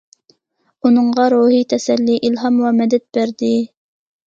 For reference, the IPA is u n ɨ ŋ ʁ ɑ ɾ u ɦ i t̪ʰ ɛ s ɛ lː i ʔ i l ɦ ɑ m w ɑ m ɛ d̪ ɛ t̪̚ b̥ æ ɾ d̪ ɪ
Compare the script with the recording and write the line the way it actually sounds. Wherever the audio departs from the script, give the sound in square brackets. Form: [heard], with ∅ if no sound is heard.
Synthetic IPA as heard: u n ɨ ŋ ʁ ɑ ɾ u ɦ i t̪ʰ ɛ s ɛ lː i ʔ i l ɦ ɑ m w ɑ m ɛ d̪ ɛ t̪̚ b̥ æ ɾ d̪ ɪ